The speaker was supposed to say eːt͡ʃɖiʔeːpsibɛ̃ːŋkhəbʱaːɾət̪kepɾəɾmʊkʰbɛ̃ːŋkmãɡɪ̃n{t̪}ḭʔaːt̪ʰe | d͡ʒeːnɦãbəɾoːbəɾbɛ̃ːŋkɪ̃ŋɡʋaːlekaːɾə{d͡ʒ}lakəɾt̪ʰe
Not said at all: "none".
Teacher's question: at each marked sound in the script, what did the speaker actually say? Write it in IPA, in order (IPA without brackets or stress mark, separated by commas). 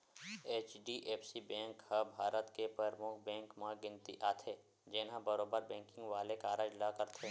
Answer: t̪, d͡ʒ